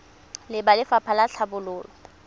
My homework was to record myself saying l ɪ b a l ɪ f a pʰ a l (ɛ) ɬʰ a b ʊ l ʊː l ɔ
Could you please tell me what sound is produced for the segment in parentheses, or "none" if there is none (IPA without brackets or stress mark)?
a